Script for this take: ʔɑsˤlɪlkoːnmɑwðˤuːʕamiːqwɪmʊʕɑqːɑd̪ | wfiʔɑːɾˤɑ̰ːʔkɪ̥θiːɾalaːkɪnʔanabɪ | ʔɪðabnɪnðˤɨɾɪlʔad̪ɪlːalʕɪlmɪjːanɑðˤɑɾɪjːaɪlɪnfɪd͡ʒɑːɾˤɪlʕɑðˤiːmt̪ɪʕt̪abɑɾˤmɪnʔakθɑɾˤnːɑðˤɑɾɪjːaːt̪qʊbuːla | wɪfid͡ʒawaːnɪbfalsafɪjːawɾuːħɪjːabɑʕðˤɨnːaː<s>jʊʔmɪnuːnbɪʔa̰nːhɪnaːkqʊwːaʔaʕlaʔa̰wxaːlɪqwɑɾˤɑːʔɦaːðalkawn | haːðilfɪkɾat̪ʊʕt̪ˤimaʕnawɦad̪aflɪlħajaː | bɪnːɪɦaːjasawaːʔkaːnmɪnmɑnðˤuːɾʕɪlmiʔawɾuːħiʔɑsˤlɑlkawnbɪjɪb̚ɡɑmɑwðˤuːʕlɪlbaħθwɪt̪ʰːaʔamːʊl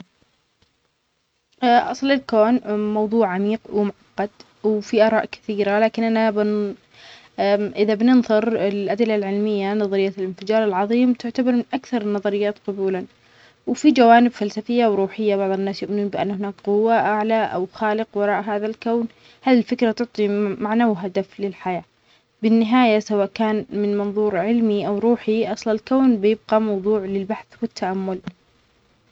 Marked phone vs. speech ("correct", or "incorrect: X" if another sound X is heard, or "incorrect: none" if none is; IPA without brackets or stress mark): correct